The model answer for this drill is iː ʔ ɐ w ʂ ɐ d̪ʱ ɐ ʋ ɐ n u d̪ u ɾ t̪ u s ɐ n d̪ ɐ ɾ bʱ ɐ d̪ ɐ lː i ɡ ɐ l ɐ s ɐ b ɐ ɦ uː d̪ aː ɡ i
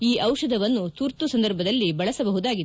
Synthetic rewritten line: iː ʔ ɐ w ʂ ɐ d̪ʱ ɐ ʋ ɐ nː u t̪ u ɾ t̪ u s ɐ n d̪ ɐ ɾ bʱ ɐ d̪ ɐ lː i b ɐ ɭ ɐ s ɐ b ɐ ɦ u d̪ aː ɡ i